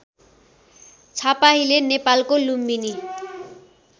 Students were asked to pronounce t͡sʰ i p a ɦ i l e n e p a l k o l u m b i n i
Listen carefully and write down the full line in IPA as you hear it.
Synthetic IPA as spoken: t͡sʰ a p a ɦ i l e n e p a l k o l u m b i n i